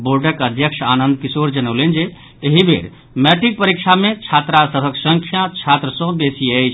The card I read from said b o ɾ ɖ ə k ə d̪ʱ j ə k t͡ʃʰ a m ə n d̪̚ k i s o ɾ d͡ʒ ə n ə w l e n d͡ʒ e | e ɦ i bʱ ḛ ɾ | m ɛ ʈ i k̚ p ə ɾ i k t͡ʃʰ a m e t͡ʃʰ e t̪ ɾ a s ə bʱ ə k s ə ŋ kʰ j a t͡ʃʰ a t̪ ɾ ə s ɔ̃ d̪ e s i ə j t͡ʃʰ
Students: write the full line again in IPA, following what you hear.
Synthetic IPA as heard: b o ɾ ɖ ə k ə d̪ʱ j ə k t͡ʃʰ a n ə n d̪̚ k i s o ɾ d͡ʒ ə n ə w l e n d͡ʒ e | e ɦ i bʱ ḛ ɾ | m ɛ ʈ i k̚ p ə ɾ i k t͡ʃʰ a m e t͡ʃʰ a t̪ ɾ a s ə bʱ ə k s ə ŋ kʰ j a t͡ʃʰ a t̪ ɾ ə s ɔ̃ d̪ e s i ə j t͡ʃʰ

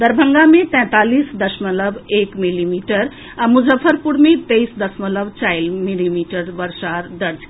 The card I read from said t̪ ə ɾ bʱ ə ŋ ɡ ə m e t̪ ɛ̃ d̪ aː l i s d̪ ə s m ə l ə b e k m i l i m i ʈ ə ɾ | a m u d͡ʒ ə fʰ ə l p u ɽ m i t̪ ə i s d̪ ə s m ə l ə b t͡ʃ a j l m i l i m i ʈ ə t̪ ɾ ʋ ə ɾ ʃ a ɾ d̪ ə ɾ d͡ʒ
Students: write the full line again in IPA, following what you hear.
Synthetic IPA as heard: d̪ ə ɾ bʱ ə ŋ ɡ a m e t̪ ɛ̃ t̪ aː l i s d̪ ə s m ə l ə b e k m i l i m i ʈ ə ɾ | a m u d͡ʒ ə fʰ ə ɾ p u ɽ m e t̪ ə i s d̪ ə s m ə l ə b t͡ʃ a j l m i l i m i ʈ ə ɾ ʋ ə ɾ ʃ a ɾ d̪ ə ɾ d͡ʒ

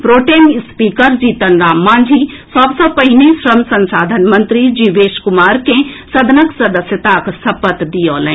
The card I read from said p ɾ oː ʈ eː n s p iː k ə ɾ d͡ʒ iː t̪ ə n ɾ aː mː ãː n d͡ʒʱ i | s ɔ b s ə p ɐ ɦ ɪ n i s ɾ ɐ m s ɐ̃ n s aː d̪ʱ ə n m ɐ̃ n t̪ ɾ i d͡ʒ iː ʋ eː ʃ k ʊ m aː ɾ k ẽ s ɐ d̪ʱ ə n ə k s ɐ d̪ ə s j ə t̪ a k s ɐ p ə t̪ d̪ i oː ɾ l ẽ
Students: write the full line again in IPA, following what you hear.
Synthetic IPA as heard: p ɾ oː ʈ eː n s p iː k ə ɾ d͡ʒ iː t̪ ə n ɾ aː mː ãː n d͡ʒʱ i | s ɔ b s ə p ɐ ɦ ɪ n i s ɾ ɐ m s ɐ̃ n s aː d̪ʱ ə n m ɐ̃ n t̪ ɾ i d͡ʒ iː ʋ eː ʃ k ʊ m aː ɾ k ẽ s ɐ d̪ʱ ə n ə k s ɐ d̪ ə s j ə t̪ a k s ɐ p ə t̪ d̪ i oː l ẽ

